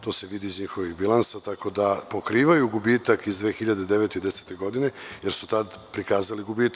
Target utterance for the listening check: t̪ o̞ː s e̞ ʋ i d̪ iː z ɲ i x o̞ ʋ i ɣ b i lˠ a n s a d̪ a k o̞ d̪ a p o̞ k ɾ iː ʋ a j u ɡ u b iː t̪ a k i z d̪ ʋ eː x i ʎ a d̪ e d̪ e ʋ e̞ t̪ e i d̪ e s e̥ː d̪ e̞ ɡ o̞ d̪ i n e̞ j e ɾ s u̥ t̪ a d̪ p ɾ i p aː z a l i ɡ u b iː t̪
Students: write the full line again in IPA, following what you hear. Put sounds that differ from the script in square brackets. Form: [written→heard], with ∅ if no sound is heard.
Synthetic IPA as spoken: t̪ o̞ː s e̞ ʋ i d̪ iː z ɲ i x o̞ ʋ i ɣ b i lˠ a n s a [d̪→t̪] a k o̞ d̪ a p o̞ k ɾ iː ʋ a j u ɡ u b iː t̪ a k i z d̪ ʋ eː x i ʎ a d̪ e d̪ e ʋ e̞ t̪ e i d̪ e s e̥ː [d̪→t̪] e̞ ɡ o̞ d̪ i n e̞ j e ɾ s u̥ t̪ a d̪ p ɾ i [p→k] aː z a l i ɡ u b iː t̪

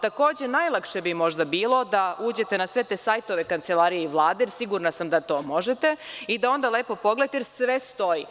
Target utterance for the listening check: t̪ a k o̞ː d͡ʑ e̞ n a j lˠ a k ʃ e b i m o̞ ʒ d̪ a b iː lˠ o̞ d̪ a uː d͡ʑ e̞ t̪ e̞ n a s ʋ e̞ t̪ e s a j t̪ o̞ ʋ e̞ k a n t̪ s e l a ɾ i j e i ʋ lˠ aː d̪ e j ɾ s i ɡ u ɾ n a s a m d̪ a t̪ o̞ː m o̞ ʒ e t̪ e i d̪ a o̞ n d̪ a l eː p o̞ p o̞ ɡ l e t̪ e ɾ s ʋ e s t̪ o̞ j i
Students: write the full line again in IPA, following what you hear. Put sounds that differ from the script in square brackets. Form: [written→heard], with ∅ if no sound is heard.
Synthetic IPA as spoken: t̪ a k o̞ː d͡ʑ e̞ n a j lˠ a k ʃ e b i m o̞ ʒ d̪ a b iː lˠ o̞ d̪ a uː d͡ʑ e̞ t̪ e̞ n a s ʋ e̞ t̪ e s a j t̪ o̞ ʋ e̞ k a n t̪ s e l a ɾ i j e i ʋ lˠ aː d̪ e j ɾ s i ɡ u ɾ n a s a m d̪ a t̪ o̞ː m o̞ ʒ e t̪ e i d̪ a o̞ n d̪ a l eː p o̞ p o̞ ɡ l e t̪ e ɾ s ʋ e s t̪ o̞ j i

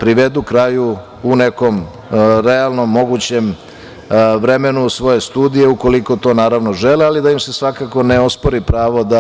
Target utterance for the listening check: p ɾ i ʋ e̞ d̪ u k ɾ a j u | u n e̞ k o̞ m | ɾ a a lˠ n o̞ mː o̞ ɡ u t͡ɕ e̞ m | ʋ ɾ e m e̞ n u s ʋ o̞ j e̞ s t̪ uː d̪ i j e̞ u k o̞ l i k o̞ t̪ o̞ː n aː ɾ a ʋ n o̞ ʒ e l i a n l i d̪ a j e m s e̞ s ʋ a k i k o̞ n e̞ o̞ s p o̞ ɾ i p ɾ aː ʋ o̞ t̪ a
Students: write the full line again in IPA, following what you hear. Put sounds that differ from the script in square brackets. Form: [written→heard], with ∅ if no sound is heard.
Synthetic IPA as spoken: p ɾ i ʋ e̞ d̪ u k ɾ a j u | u n e̞ k o̞ m | ɾ [a→e] a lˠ n o̞ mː o̞ ɡ u t͡ɕ e̞ m | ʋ ɾ e m e̞ n u s ʋ o̞ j e̞ s t̪ uː d̪ i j e̞ u k o̞ l i k o̞ t̪ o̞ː n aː ɾ a ʋ n o̞ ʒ e l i a [n→∅] l i d̪ a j [e→i] m s e̞ s ʋ a k [i→a] k o̞ n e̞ o̞ s p o̞ ɾ i p ɾ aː ʋ o̞ [t̪→d̪] a

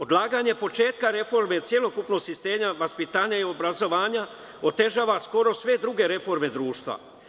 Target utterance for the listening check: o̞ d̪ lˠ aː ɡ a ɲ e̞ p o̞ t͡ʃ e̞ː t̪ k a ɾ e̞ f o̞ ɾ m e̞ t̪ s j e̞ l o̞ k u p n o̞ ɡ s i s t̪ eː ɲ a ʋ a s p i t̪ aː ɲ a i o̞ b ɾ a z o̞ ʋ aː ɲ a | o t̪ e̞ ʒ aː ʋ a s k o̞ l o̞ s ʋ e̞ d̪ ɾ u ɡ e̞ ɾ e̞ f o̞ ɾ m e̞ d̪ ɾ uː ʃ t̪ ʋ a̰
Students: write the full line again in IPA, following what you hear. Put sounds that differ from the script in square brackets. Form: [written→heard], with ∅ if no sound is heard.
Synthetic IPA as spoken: o̞ d̪ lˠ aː ɡ a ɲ e̞ p o̞ t͡ʃ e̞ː t̪ k a ɾ e̞ f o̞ ɾ m e̞ t̪ s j e̞ l o̞ k u p n o̞ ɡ s i s t̪ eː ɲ a ʋ a s p i t̪ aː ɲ a i o̞ b ɾ a z o̞ ʋ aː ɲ a | o t̪ e̞ ʒ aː ʋ a s k o̞ [l→ɾ] o̞ s ʋ e̞ d̪ ɾ u ɡ e̞ ɾ e̞ f o̞ ɾ m e̞ d̪ ɾ uː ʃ t̪ ʋ a̰

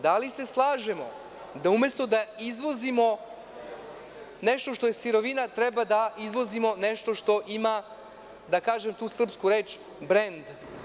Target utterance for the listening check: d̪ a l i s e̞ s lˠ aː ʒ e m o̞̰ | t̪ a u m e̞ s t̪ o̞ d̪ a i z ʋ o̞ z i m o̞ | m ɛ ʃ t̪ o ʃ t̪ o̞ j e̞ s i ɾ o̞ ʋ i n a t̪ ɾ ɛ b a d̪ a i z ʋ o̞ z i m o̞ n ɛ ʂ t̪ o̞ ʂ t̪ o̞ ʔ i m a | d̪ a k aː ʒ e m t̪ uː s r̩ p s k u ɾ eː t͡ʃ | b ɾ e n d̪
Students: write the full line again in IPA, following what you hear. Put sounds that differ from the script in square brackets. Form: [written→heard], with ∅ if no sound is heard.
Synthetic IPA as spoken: d̪ a l i s e̞ s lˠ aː ʒ e m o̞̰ | [t̪→d̪] a u m e̞ s t̪ o̞ d̪ a i z ʋ o̞ z i m o̞ | [m→n] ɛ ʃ t̪ o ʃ t̪ o̞ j e̞ s i ɾ o̞ ʋ i n a t̪ ɾ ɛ b a d̪ a i z ʋ o̞ z i m o̞ n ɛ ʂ t̪ o̞ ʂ t̪ o̞ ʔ i m a | d̪ a k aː ʒ e m t̪ uː s r̩ p s k u ɾ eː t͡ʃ | b ɾ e n d̪

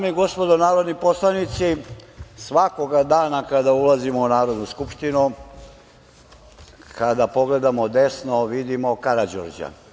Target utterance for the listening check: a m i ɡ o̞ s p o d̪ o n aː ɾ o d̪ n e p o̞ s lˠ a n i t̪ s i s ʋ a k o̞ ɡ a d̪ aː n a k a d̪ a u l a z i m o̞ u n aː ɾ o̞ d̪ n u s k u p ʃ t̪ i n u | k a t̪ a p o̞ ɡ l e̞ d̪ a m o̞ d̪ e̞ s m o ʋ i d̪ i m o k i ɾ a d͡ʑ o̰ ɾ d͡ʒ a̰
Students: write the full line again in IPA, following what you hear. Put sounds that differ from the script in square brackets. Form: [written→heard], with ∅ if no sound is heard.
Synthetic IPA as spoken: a m i ɡ o̞ s p o d̪ o n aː ɾ o d̪ n [e→i] p o̞ s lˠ a n i t̪ s i s ʋ a k o̞ ɡ a d̪ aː n a k a d̪ a u l a z i m o̞ u n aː ɾ o̞ d̪ n u s k u p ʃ t̪ i n u | k a [t̪→d̪] a p o̞ ɡ l e̞ d̪ a m o̞ d̪ e̞ s [m→n] o ʋ i d̪ i m o k [i→a] ɾ a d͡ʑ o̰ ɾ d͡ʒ a̰

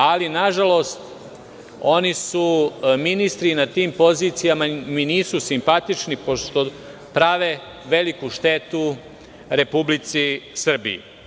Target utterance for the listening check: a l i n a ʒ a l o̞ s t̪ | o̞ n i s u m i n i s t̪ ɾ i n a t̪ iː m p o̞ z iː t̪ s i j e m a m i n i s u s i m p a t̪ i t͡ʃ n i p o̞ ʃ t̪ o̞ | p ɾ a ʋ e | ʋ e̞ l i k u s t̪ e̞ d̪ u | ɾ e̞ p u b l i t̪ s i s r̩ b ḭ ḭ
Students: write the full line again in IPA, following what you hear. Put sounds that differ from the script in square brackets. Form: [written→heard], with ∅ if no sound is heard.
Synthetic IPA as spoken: a l i n a ʒ a l o̞ s t̪ | o̞ n i s u m i n i s t̪ ɾ i n a t̪ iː m p o̞ z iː t̪ s i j [e→a] m a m i n [i→iː] s u s i m p a t̪ i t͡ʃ n i p o̞ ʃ t̪ o̞ | p ɾ a ʋ e | ʋ e̞ l i k u [s→ʃ] t̪ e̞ [d̪→t̪] u | ɾ e̞ p u b l i t̪ s i s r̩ b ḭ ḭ

